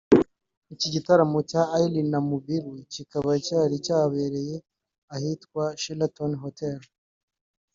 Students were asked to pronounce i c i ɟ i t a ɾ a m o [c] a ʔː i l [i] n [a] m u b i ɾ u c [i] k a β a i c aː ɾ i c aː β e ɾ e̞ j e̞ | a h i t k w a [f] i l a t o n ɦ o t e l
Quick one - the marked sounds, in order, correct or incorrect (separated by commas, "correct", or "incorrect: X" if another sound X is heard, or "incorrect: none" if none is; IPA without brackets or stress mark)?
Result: correct, correct, correct, correct, incorrect: ʃ